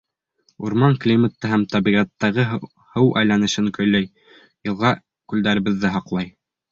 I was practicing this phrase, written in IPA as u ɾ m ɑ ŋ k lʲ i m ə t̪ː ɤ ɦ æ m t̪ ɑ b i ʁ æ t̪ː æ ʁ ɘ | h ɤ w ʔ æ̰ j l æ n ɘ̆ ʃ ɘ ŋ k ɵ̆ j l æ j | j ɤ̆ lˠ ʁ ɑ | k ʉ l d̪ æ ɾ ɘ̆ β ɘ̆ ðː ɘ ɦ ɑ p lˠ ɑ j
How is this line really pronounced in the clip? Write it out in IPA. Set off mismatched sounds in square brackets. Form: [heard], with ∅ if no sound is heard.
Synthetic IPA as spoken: u ɾ m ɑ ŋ k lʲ i m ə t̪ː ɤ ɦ æ m t̪ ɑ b i ʁ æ t̪ː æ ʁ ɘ | h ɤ w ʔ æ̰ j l æ n ɘ̆ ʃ ɘ ŋ k ɵ̆ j l æ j | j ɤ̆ lˠ ʁ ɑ | k ʉ l d̪ æ ɾ ɘ̆ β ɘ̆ ðː ɘ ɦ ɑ [q] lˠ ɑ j